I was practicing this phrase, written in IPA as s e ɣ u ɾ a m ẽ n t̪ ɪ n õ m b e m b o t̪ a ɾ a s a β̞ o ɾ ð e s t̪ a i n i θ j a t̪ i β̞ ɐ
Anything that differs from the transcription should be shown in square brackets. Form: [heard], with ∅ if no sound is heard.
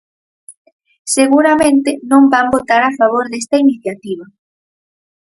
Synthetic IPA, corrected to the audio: s e ɣ u ɾ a m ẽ n t̪ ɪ n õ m b [a] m b o t̪ a ɾ a [f] a β̞ o ɾ ð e s t̪ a i n i θ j a t̪ i β̞ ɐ